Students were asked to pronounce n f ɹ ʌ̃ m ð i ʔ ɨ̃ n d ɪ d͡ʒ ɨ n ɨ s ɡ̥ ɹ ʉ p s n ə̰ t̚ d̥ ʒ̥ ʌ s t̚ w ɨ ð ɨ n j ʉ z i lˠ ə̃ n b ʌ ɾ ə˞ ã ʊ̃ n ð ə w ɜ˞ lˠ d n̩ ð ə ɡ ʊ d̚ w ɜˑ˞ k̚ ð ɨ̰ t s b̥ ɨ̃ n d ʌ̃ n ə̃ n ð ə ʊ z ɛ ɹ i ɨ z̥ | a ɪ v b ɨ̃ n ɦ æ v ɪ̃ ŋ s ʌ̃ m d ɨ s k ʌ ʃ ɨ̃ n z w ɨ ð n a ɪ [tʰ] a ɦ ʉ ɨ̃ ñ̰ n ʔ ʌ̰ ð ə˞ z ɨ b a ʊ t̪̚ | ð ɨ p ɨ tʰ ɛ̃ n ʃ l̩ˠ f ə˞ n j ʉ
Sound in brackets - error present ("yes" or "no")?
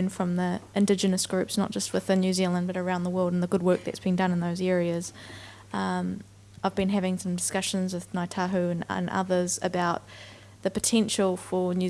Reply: no